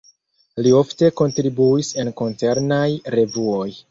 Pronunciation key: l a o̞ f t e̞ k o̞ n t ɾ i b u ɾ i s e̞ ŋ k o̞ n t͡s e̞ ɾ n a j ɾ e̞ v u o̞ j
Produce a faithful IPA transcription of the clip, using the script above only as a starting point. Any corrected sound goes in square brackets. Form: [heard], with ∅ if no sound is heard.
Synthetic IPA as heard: l [i] o̞ f t e̞ k o̞ n t ɾ i b u [∅] i s e̞ [n] k o̞ n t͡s e̞ ɾ n a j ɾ e̞ v u o̞ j